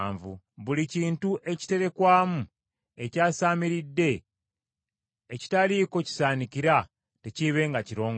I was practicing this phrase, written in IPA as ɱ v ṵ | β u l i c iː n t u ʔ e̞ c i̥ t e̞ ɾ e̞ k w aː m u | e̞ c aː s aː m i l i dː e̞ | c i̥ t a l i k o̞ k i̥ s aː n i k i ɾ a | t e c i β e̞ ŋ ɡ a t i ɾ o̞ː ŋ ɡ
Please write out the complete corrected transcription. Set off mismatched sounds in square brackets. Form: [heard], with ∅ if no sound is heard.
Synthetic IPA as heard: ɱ v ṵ | β u l i c iː n t u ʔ e̞ c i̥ t e̞ ɾ e̞ k w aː m u | e̞ c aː s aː m i [ɾ] i dː e̞ | c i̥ t a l i k o̞ [c] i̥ s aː n i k i ɾ a | t e c i β e̞ ŋ ɡ a [c] i ɾ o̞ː ŋ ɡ